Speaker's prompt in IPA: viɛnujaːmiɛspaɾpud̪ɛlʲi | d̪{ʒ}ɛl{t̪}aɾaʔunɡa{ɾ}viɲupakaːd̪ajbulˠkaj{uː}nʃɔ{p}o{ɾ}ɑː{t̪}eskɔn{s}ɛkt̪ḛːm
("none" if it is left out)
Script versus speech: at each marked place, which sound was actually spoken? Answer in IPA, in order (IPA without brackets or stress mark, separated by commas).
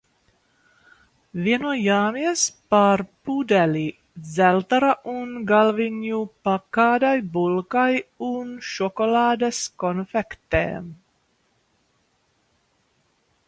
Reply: z, t̪, l, u, k, l, d̪, f